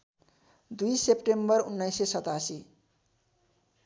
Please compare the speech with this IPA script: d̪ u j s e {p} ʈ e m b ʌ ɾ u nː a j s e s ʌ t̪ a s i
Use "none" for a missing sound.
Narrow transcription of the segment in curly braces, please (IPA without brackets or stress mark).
p